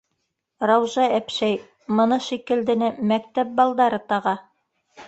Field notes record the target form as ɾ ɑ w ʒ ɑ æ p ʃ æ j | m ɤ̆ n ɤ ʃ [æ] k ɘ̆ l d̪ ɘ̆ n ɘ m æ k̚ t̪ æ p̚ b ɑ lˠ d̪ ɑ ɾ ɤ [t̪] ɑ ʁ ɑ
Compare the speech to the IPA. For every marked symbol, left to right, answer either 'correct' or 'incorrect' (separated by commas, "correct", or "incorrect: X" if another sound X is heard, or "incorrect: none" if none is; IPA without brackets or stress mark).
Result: incorrect: i, correct